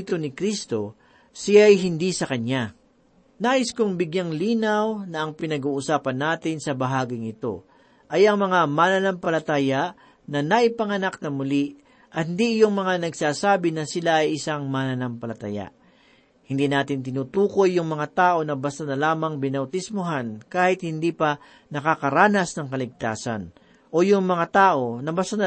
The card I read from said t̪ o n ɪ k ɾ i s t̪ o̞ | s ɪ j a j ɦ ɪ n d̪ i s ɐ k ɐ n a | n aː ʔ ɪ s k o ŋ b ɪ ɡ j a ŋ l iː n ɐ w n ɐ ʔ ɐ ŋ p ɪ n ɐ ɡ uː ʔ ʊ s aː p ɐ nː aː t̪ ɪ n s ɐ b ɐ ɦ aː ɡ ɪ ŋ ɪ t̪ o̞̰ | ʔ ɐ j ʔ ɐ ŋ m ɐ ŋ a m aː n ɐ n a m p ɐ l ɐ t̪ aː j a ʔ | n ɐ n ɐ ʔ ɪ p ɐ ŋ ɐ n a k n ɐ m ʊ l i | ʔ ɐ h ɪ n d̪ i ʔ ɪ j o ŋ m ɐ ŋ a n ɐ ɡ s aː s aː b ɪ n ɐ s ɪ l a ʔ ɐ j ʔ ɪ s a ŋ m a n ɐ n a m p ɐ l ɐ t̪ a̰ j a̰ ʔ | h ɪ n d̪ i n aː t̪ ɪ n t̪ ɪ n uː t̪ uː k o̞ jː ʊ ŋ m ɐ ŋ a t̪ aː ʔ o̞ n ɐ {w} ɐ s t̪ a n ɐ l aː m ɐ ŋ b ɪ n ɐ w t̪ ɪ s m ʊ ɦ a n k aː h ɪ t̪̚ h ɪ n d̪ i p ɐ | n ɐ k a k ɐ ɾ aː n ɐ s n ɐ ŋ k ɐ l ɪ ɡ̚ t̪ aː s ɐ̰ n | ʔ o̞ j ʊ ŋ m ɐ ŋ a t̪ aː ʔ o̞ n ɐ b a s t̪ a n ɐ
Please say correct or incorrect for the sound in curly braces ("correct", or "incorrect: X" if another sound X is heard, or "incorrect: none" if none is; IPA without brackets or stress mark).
incorrect: b